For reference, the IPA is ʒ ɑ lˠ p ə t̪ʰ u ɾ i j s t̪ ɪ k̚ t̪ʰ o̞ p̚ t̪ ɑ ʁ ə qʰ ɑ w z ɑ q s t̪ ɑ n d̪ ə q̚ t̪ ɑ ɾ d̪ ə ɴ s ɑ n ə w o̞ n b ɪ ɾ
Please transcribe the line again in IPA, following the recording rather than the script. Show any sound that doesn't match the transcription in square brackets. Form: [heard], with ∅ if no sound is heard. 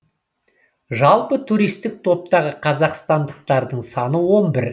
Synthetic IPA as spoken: ʒ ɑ lˠ p ə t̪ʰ u ɾ i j s t̪ ɪ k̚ t̪ʰ o̞ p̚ t̪ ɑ ʁ ə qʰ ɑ [∅] z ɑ q s t̪ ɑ n d̪ ə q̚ t̪ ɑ ɾ d̪ ə ɴ s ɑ n ə w o̞ n b ɪ ɾ

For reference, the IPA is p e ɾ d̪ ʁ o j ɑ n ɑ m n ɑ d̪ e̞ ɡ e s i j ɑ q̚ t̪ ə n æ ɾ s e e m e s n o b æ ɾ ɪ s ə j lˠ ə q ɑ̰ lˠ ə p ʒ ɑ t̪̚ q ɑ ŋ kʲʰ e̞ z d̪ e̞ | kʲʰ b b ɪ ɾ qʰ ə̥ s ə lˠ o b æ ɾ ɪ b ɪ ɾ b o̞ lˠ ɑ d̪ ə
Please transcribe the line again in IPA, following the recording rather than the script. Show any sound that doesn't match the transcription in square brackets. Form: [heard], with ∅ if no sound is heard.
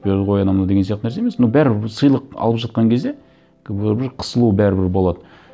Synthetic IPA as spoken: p e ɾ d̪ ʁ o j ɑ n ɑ m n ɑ d̪ e̞ ɡ e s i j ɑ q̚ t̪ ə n æ ɾ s e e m e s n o b æ ɾ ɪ s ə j lˠ ə q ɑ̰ lˠ ə p ʒ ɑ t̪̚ q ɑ ŋ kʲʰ e̞ z d̪ e̞ | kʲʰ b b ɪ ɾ qʰ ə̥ s ə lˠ [u] b æ ɾ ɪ b ɪ ɾ b o̞ lˠ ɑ d̪ ə

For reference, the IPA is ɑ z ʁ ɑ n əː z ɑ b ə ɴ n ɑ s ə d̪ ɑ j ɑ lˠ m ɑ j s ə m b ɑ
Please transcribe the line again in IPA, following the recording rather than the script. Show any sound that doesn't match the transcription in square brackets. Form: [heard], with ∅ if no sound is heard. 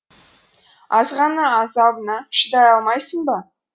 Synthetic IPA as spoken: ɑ z ʁ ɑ n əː z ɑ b ə [∅] n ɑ [ʃ] ə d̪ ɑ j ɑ lˠ m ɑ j s ə [ɴ] b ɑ

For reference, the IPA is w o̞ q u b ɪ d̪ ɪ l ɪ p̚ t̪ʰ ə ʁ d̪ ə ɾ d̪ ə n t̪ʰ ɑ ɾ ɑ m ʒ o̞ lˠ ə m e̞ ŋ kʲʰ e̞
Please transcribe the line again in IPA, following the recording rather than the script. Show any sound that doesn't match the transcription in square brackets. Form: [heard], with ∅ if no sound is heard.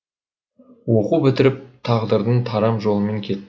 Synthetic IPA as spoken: w o̞ q u b ɪ [t̪] ɪ [ɾ] ɪ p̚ t̪ʰ [ɑ] ʁ d̪ ə ɾ d̪ ə n t̪ʰ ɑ ɾ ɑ m ʒ o̞ lˠ ə m e̞ ŋ kʲʰ e̞

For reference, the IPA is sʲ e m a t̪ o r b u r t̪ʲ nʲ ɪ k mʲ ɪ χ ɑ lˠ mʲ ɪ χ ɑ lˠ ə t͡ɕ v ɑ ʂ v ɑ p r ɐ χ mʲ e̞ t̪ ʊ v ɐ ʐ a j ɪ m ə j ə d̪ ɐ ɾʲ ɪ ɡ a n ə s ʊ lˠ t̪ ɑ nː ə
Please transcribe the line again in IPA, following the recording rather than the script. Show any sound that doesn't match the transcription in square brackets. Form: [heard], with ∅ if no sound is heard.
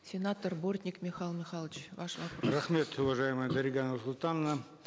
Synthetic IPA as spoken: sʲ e [n] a t̪ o r b [o] r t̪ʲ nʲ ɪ k mʲ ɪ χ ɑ lˠ mʲ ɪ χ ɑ lˠ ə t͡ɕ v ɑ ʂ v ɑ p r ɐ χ mʲ e̞ t̪ ʊ v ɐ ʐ a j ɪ m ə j ə d̪ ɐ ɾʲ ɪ ɡ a n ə s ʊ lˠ t̪ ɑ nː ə

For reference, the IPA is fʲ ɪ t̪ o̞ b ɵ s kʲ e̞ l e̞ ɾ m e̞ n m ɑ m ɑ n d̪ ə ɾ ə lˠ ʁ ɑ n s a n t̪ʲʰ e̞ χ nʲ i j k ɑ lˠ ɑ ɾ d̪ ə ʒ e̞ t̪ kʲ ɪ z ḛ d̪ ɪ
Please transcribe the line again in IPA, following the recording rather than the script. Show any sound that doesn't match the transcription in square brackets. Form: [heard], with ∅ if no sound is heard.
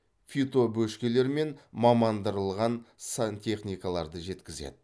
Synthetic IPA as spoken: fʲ [i] t̪ o̞ b ɵ [ʃ] kʲ e̞ l e̞ ɾ m e̞ n m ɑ m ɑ n d̪ ə ɾ ə lˠ ʁ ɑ n s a n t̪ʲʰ e̞ χ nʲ i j k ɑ lˠ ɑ ɾ d̪ ə ʒ e̞ t̪ kʲ ɪ z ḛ d̪ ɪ

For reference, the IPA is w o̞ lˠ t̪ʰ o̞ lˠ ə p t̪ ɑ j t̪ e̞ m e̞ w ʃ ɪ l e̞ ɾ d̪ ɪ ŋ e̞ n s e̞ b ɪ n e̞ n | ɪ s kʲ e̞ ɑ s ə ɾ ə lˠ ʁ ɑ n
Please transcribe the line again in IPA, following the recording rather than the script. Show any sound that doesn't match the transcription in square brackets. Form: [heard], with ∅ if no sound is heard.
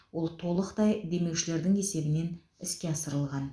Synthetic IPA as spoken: w o̞ lˠ t̪ʰ o̞ lˠ ə [q] t̪ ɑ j [d̪] e̞ m e̞ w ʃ ɪ l e̞ ɾ d̪ ɪ ŋ e̞ [∅] s e̞ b ɪ n e̞ n | ɪ s kʲ e̞ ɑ s ə ɾ ə lˠ ʁ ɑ n

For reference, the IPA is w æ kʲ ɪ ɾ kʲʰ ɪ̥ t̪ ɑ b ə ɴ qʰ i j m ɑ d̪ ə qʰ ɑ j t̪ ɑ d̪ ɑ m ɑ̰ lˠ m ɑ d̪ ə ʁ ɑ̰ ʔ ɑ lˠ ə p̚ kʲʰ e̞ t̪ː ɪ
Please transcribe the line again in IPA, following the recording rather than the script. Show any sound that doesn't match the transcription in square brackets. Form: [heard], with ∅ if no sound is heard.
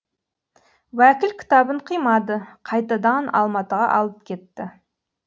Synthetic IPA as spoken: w æ kʲ ɪ [l] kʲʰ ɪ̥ t̪ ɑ b ə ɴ qʰ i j m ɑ d̪ ə qʰ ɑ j t̪ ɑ d̪ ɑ [n] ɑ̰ lˠ m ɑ [t̪] ə ʁ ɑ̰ ʔ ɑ lˠ ə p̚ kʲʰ e̞ t̪ː ɪ

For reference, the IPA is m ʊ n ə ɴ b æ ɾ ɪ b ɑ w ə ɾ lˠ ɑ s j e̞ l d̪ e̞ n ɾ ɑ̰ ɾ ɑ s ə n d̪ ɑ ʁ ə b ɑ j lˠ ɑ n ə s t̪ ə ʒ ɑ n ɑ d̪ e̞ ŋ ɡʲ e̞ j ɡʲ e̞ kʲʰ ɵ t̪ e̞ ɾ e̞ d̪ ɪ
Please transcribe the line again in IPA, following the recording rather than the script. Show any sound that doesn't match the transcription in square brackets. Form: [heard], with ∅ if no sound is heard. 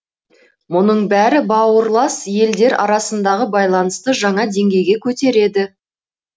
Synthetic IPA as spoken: m ʊ n ə ɴ b æ ɾ ɪ b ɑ w ə ɾ lˠ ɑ s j e̞ l d̪ e̞ [∅] ɾ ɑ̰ ɾ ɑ s ə n d̪ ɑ ʁ ə b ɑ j lˠ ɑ n ə s t̪ ə ʒ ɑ [ɴ] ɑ d̪ e̞ ŋ ɡʲ e̞ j ɡʲ e̞ kʲʰ ɵ t̪ e̞ ɾ e̞ d̪ ɪ

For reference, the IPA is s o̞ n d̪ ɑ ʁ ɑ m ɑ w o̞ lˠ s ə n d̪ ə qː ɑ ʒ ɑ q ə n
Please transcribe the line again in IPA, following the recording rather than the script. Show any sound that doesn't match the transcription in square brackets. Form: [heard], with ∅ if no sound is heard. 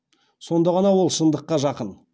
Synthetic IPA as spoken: s o̞ n d̪ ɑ ʁ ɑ [n] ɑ w o̞ lˠ [ʃ] ə n d̪ ə qː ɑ ʒ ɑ q ə n

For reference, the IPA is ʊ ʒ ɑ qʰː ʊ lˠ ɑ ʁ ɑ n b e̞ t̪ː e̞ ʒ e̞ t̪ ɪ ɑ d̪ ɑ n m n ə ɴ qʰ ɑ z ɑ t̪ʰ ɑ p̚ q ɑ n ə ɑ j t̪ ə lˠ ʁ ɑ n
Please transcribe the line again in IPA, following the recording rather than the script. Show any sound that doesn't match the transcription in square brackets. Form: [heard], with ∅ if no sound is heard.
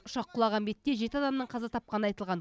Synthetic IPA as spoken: ʊ [ʃ] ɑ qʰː ʊ lˠ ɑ ʁ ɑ n b e̞ t̪ː e̞ ʒ e̞ t̪ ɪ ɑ d̪ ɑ [∅] m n ə ɴ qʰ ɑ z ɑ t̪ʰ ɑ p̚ q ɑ n ə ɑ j t̪ ə lˠ ʁ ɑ n

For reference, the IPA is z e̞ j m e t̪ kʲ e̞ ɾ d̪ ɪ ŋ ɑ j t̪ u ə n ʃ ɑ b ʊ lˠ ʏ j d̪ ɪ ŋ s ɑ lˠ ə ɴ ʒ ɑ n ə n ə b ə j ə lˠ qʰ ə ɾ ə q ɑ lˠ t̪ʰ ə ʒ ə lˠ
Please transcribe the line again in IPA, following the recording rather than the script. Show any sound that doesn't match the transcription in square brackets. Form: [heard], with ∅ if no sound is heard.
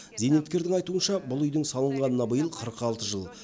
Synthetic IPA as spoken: z e̞ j [n] e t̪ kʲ e̞ ɾ d̪ ɪ ŋ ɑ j t̪ u ə n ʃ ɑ b ʊ lˠ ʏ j d̪ ɪ ŋ s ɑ lˠ ə ɴ [ʁ] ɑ n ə n [ɑ] b ə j ə lˠ qʰ ə ɾ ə q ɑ lˠ [t̪] ə ʒ ə lˠ

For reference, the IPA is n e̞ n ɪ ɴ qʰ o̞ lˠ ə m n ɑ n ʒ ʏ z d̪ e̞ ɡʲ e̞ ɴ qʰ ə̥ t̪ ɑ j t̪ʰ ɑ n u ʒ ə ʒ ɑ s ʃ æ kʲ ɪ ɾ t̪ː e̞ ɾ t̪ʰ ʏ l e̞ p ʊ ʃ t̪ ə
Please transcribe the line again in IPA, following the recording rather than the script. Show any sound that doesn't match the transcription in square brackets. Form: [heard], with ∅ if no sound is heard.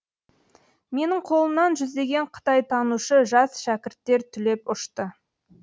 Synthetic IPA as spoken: [m] e̞ n ɪ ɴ qʰ o̞ lˠ ə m n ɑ n ʒ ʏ z d̪ e̞ ɡʲ e̞ ɴ qʰ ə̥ t̪ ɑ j t̪ʰ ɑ n u [ʃ] ə ʒ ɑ s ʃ æ kʲ ɪ ɾ t̪ː e̞ ɾ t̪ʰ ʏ l e̞ p ʊ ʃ t̪ ə

